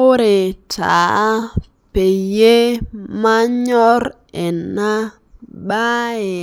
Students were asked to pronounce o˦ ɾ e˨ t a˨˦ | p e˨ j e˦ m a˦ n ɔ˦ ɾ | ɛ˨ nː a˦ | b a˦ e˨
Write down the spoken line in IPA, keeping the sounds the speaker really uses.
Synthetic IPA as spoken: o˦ ɾ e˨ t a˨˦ | p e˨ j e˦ m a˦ ɲ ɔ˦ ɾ | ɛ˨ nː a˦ | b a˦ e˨

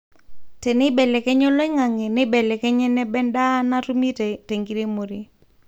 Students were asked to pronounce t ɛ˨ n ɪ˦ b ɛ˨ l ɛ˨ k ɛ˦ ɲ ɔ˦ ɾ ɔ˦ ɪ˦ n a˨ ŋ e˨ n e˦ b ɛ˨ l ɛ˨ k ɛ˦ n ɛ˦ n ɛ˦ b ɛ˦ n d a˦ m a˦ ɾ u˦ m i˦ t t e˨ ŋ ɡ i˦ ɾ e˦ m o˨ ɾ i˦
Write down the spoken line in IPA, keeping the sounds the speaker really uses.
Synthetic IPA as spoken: t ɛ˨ n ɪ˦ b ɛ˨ l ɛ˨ k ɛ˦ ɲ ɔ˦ l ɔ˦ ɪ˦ ŋ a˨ ŋ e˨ n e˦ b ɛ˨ l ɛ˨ k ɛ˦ ɲ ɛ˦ n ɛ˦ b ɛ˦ n d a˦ n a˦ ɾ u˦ m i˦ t t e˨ ŋ ɡ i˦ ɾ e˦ m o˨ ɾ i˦

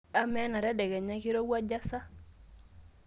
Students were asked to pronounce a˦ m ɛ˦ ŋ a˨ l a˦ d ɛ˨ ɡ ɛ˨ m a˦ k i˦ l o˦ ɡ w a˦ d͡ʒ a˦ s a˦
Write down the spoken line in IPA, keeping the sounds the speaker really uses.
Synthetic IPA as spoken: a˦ m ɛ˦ n a˨ ɾ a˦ d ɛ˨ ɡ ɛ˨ ɲ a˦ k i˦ ɾ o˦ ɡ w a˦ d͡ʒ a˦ s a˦

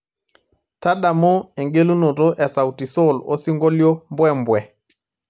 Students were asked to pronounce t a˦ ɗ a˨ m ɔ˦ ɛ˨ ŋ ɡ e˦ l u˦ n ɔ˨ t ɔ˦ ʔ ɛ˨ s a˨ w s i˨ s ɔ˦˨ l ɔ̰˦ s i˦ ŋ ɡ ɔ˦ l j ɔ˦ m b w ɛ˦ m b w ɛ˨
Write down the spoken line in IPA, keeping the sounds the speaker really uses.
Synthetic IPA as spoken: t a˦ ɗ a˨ m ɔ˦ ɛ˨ ŋ ɡ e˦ l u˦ n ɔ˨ t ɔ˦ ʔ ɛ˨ s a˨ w t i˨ s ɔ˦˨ l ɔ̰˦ s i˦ ŋ ɡ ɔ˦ l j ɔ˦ m b w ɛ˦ m b w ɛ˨

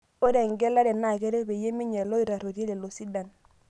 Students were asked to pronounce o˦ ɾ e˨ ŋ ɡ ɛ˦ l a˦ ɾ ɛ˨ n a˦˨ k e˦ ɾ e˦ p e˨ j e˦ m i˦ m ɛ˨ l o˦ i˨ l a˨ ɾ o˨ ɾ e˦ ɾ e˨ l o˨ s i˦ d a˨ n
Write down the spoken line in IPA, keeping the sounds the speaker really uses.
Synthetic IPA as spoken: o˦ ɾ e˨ ŋ ɡ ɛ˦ l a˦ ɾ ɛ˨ n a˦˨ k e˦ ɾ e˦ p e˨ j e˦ m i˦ ɲ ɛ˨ l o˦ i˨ ɾ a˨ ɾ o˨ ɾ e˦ l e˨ l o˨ s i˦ d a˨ n

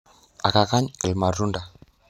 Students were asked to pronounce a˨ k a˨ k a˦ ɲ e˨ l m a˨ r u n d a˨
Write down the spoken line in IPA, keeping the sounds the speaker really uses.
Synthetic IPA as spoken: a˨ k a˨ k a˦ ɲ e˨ l m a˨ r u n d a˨

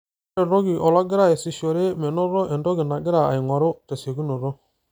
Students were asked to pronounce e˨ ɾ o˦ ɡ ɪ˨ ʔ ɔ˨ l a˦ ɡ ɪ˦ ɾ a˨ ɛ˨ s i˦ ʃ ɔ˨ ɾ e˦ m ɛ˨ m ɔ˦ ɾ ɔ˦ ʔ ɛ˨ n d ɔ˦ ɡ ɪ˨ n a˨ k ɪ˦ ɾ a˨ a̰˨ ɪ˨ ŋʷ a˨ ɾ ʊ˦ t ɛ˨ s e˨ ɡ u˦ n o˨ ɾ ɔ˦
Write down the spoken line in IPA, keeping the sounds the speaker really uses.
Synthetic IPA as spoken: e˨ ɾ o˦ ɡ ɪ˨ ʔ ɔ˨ l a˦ ɡ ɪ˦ ɾ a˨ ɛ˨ s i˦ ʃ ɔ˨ ɾ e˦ m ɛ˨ n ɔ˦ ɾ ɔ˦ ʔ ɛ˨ n d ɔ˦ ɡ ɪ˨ n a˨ ɡ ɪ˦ ɾ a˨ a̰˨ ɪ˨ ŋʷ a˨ ɾ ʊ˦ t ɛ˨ s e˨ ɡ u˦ n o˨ ɾ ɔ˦

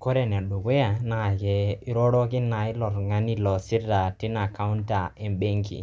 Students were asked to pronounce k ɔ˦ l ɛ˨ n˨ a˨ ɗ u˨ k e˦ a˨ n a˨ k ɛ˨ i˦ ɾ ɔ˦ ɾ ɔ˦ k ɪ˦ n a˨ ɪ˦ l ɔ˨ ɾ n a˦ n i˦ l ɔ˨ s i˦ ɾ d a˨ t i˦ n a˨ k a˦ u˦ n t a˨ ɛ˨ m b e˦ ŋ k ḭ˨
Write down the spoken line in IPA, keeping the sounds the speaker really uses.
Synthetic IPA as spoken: k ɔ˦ ɾ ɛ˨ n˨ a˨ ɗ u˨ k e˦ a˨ n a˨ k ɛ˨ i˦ ɾ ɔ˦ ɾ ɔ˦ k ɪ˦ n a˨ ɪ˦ l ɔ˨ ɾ ŋ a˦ n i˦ l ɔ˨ s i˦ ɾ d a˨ t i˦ n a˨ k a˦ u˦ n t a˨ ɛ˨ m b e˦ ŋ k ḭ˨

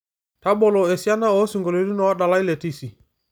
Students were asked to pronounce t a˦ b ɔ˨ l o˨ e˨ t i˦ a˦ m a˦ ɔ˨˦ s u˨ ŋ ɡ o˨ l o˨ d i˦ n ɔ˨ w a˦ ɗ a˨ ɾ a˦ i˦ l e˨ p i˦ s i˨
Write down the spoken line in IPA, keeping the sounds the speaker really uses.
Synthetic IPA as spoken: t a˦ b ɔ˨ l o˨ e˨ s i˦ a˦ n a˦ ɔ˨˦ s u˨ ŋ ɡ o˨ l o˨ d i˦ n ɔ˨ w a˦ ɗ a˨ l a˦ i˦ l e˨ t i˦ s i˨

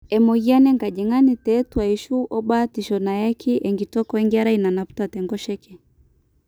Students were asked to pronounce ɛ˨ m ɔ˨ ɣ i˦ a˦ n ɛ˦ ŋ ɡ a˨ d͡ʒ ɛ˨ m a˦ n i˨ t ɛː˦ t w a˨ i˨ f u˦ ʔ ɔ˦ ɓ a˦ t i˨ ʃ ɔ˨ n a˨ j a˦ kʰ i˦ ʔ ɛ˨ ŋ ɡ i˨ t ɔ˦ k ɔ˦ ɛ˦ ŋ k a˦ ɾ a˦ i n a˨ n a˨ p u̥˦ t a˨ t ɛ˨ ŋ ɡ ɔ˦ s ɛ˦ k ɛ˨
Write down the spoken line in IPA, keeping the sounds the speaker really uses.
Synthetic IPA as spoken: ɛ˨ m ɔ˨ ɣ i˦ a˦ n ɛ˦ ŋ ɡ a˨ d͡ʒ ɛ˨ ŋ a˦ n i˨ t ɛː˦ t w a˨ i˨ ʃ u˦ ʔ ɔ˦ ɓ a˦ t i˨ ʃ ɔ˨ n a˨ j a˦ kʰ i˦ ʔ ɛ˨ ŋ ɡ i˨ t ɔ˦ k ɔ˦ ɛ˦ ŋ ɡ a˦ ɾ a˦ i n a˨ n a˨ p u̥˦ t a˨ t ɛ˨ ŋ ɡ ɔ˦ ʃ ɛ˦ k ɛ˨

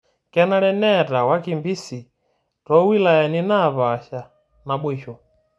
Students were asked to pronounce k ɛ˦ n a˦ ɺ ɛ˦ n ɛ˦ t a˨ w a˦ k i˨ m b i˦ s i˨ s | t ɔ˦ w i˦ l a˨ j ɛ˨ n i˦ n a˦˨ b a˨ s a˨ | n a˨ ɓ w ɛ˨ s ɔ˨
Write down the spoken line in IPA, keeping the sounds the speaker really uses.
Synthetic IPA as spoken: k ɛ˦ n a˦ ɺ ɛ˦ n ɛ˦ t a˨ w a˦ k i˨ m b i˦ s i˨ | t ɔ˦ w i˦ l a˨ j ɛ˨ n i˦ n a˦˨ β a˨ ʃ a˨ | n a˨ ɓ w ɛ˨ ʃ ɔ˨

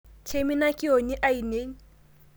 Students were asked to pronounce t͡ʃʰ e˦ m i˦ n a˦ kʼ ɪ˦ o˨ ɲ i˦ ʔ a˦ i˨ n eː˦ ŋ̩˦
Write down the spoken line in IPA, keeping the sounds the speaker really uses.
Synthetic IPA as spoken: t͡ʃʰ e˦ m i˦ n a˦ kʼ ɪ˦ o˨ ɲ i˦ ʔ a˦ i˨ n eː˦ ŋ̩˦

